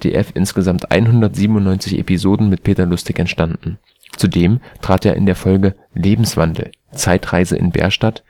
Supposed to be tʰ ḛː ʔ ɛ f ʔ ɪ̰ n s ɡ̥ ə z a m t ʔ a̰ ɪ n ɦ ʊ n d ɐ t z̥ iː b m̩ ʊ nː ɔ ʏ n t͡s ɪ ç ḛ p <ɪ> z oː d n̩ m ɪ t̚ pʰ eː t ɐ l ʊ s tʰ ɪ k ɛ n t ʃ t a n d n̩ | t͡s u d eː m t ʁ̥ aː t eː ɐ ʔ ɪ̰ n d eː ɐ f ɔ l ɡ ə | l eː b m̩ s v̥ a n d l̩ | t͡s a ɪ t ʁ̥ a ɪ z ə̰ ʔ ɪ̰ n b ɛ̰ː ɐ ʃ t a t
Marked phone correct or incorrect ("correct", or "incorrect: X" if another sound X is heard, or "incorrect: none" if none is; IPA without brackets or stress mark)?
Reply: incorrect: i